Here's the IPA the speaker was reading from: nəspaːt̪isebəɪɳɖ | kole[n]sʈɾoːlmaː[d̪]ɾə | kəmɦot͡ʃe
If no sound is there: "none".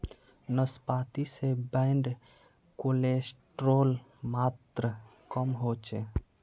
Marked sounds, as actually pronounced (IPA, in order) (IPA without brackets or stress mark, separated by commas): none, t̪